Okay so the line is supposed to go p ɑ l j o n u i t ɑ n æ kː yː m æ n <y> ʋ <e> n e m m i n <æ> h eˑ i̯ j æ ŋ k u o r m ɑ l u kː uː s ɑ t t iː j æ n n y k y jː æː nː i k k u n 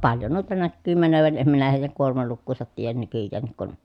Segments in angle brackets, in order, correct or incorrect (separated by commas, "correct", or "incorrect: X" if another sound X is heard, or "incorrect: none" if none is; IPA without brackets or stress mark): incorrect: ø, incorrect: æ, correct